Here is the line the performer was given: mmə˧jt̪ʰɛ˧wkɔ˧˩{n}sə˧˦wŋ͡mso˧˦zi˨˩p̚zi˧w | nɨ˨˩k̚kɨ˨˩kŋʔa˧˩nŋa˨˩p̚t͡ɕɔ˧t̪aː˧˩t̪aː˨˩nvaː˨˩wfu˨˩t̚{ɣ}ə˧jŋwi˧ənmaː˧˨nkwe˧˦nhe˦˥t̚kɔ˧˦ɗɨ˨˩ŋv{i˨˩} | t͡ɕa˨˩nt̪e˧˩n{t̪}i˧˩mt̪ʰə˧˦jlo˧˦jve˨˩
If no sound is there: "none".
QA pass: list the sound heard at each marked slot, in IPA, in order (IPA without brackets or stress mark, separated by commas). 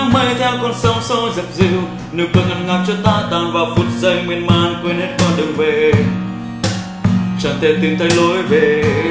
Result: n, z, e˨˩, t̪